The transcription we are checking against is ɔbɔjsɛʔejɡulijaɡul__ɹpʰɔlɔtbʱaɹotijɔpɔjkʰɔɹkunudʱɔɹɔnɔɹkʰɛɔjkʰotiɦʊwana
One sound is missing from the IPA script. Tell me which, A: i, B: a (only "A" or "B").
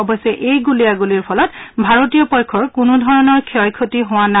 A